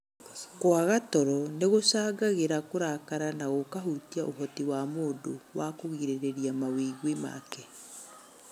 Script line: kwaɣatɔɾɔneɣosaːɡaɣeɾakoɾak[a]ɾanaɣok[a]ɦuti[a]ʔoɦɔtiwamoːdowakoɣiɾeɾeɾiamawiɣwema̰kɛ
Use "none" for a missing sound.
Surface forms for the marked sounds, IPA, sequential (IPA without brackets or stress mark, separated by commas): a, a, a